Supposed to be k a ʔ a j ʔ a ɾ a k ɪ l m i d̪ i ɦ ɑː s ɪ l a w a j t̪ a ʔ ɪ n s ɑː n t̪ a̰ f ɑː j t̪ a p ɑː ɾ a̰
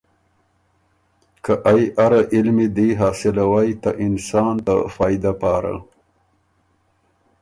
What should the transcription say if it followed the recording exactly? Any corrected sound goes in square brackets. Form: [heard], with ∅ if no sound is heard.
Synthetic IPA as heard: k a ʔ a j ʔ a ɾ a [ʔ] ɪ l m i d̪ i ɦ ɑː s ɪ l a w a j t̪ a ʔ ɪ n s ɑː n t̪ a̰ f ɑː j [d̪] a p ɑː ɾ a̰